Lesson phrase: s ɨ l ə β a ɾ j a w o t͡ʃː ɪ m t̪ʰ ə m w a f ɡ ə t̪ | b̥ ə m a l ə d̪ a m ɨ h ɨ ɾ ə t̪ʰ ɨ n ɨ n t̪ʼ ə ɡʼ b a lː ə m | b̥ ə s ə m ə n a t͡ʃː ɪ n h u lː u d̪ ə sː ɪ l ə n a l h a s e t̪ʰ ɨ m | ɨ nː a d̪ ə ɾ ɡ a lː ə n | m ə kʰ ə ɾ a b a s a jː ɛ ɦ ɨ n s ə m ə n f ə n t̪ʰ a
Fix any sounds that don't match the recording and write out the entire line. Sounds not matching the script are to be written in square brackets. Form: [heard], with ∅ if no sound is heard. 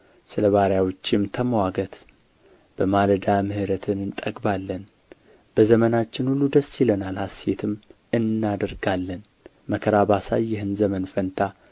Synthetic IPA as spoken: s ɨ l ə β a ɾ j a w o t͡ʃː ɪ m t̪ʰ ə m w a [∅] ɡ ə t̪ | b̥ ə m a l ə d̪ a m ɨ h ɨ ɾ ə t̪ʰ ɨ n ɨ n t̪ʼ ə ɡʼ b a lː ə [n] | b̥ ə [z] ə m ə n a t͡ʃː ɪ n h u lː u d̪ ə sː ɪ l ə n a l h a s e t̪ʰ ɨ m | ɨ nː a d̪ ə ɾ ɡ a lː ə n | m ə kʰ ə ɾ a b a s a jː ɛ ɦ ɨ n [z] ə m ə n f ə n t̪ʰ a